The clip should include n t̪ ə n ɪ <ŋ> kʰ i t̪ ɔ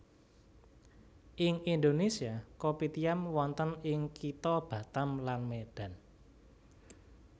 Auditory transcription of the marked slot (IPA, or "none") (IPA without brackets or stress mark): ŋ